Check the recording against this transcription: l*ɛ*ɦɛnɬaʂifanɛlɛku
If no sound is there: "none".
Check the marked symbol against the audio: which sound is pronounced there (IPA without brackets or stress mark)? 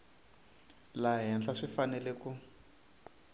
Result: a